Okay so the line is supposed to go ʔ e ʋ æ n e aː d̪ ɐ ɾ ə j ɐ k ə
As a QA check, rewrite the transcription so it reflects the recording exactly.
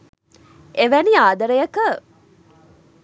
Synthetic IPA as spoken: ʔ e ʋ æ n i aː d̪ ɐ ɾ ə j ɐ k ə

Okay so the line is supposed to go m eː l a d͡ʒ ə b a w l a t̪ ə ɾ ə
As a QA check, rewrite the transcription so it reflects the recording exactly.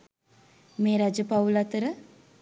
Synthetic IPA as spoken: m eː ɾ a d͡ʒ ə p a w l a t̪ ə ɾ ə

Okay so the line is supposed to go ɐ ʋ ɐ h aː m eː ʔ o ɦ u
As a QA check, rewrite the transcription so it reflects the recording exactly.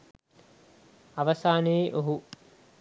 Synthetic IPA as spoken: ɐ ʋ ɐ s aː n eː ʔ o ɦ u

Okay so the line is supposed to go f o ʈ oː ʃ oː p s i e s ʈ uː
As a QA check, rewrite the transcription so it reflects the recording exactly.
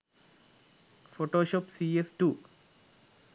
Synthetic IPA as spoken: f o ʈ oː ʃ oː p s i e s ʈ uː

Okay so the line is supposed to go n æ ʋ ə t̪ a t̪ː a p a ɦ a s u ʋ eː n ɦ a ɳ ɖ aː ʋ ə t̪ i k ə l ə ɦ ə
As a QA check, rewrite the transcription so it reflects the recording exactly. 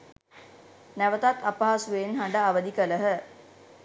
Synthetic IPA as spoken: n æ ʋ ə t̪ a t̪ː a p a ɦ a s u ʋ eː n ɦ a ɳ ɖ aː ʋ ə d̪ i k ə l ə ɦ ə

